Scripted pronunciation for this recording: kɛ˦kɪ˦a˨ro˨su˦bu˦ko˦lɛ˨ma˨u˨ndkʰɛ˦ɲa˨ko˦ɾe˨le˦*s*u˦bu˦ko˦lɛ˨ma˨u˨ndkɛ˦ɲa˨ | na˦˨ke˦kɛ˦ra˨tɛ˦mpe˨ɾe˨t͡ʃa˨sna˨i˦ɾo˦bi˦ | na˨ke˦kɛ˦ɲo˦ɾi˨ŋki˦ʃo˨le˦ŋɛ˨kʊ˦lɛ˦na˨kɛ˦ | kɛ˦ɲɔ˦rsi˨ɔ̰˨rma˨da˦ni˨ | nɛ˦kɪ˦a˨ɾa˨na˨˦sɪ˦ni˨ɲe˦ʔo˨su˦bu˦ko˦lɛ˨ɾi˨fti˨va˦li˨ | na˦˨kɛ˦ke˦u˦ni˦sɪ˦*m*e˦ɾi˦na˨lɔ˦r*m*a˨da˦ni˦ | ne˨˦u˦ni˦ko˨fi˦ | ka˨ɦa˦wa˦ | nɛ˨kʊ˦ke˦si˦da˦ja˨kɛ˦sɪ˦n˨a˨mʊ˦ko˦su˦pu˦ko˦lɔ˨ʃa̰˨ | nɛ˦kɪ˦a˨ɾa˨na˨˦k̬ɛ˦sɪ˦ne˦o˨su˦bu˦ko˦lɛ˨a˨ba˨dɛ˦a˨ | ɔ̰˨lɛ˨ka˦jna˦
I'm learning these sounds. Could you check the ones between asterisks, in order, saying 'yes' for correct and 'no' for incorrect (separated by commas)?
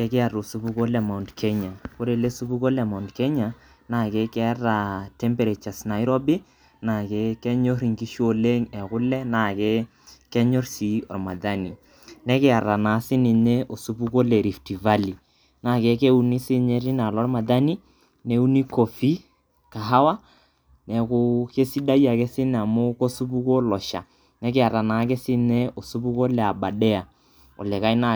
yes, no, yes